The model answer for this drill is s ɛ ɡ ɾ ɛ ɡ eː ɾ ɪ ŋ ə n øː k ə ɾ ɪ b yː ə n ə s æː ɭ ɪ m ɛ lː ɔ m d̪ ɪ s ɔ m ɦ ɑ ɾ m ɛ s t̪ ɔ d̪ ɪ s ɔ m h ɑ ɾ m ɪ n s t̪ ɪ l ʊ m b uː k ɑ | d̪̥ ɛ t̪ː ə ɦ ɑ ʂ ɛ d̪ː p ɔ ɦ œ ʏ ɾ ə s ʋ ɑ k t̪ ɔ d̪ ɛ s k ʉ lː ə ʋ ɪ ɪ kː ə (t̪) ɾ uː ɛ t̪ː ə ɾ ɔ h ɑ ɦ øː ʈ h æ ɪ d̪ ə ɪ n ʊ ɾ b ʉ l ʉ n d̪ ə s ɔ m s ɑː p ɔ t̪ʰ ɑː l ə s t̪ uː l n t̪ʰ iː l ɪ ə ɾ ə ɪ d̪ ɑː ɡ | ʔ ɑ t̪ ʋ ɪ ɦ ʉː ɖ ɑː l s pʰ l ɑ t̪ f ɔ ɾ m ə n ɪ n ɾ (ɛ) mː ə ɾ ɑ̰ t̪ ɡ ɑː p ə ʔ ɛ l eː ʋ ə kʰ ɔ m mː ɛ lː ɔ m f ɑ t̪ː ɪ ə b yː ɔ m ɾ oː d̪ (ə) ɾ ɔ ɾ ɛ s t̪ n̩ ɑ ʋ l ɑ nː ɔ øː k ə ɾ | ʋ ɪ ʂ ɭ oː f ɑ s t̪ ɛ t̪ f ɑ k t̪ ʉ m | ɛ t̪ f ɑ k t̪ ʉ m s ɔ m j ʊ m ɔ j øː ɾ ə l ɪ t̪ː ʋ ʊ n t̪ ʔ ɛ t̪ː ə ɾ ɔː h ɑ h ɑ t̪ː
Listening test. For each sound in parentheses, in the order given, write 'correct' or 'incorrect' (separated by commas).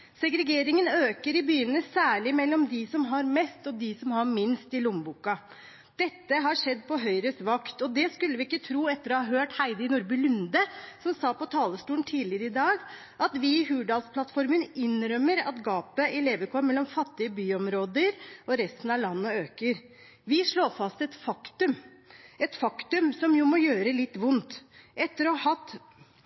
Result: incorrect, incorrect, correct